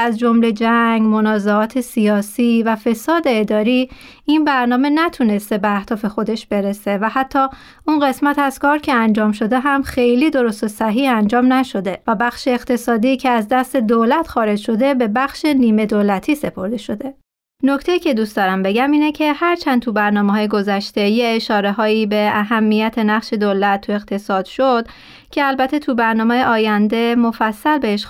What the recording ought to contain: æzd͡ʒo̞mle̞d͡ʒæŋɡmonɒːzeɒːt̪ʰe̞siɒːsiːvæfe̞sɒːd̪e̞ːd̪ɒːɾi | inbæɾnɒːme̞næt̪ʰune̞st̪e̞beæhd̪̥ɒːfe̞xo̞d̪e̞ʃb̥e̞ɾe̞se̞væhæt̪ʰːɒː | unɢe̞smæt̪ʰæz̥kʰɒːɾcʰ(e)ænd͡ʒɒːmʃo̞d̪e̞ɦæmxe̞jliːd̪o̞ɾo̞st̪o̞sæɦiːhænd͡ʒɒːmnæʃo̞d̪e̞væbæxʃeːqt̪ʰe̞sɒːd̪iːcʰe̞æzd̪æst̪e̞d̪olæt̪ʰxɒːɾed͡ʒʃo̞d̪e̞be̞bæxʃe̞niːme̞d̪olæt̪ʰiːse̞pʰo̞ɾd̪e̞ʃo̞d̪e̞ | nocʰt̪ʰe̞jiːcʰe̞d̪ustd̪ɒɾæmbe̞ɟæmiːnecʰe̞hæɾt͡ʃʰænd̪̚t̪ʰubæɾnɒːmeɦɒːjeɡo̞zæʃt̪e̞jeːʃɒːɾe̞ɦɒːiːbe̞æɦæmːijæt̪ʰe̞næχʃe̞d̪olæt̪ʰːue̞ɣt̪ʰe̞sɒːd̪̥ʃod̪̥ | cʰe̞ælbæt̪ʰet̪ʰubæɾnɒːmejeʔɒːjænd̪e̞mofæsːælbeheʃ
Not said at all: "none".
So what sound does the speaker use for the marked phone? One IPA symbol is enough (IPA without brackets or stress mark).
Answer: e